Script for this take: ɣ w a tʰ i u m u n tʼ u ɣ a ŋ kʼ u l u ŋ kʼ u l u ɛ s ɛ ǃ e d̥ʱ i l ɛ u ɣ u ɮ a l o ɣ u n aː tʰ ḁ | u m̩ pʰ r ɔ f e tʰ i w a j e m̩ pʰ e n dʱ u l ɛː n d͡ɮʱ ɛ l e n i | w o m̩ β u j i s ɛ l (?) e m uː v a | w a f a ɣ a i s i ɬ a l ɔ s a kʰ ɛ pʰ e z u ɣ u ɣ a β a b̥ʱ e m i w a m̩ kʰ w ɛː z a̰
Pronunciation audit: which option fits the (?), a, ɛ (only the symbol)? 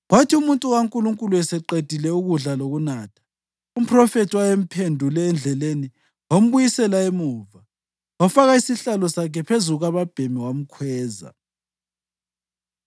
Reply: a